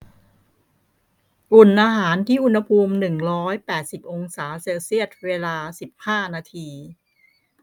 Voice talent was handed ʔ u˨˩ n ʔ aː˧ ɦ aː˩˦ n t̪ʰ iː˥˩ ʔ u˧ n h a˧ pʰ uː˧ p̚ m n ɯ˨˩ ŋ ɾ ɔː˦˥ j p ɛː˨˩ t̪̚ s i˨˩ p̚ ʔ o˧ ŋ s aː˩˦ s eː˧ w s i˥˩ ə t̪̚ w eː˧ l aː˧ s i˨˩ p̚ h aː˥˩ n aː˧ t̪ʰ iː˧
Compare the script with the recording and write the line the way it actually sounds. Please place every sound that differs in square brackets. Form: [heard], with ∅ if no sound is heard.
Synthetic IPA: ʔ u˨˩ n ʔ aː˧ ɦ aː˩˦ n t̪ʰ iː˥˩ ʔ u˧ n h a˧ pʰ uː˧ [∅] m n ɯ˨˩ ŋ ɾ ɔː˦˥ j p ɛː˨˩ t̪̚ s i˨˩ p̚ ʔ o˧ ŋ s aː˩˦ s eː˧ w s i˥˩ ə t̪̚ w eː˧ l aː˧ s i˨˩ p̚ h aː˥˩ n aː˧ t̪ʰ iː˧